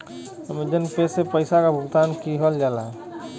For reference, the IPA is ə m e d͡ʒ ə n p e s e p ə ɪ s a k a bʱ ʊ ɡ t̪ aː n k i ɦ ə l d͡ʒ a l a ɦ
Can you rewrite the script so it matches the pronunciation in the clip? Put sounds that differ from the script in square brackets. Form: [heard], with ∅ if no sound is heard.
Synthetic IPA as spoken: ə m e d͡ʒ ə n p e s e p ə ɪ s a k a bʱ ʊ ɡ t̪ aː n k i ɦ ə l d͡ʒ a l a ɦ

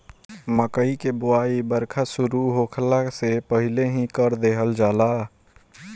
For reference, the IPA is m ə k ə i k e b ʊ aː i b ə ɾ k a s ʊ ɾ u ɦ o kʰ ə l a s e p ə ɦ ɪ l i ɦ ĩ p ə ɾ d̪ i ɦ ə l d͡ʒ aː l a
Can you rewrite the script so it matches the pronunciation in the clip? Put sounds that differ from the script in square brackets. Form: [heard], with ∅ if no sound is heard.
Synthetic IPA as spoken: m ə k ə i k e b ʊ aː i b ə ɾ [kʰ] a s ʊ ɾ u ɦ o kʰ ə l a s e p ə ɦ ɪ l [e] ɦ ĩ [k] ə ɾ d̪ [e] ɦ ə l d͡ʒ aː l a

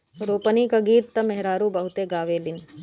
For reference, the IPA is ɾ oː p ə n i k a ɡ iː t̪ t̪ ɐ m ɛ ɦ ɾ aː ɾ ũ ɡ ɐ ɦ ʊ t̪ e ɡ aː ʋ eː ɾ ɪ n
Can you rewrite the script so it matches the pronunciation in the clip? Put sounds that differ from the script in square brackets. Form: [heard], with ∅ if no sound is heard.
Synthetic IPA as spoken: ɾ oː p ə n i k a ɡ iː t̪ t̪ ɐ m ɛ ɦ ɾ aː ɾ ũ [b] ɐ ɦ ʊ t̪ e ɡ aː ʋ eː [l] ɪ n

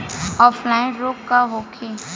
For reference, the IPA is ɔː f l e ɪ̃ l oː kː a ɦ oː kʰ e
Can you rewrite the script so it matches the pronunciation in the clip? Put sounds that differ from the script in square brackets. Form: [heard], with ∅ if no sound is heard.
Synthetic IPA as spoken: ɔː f l [a] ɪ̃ [ɾ] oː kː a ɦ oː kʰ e

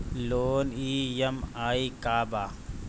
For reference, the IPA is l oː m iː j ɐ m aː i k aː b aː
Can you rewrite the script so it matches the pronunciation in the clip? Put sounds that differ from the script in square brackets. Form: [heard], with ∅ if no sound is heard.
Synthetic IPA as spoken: l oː [n] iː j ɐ m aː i k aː b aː

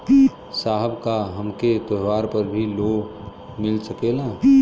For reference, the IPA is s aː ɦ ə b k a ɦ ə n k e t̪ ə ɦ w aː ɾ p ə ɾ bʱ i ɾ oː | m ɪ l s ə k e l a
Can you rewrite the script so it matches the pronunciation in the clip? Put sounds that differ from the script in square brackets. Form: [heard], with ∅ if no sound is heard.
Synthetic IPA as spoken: s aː ɦ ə b k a ɦ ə [m] k e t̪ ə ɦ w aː ɾ p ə ɾ bʱ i [l] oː | m ɪ l s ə k e l a

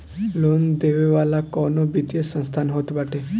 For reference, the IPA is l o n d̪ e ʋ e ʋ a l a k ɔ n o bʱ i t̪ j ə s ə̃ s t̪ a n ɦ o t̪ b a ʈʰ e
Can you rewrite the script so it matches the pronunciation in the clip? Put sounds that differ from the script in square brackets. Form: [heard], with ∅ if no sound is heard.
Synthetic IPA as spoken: l o n d̪ e ʋ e ʋ a l a k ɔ n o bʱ i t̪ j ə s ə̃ s [t̪ʰ] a n ɦ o t̪ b a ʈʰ e

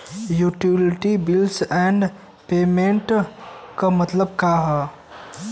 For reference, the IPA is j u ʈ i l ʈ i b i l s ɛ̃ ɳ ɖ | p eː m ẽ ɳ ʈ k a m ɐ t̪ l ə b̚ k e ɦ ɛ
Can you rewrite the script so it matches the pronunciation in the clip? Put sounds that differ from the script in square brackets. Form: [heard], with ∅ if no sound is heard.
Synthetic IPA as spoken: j u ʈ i l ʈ i b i l s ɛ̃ ɳ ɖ | p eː m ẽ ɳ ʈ k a m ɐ t̪ l ə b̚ k [a] ɦ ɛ

